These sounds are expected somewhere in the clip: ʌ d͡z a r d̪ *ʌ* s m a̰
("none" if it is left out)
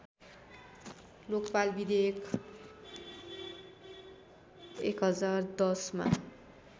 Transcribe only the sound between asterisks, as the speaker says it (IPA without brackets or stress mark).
ʌ